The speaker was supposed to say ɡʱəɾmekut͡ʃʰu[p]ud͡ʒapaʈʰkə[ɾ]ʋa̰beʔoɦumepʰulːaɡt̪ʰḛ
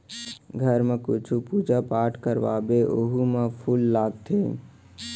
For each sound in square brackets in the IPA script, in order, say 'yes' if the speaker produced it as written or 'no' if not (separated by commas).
yes, yes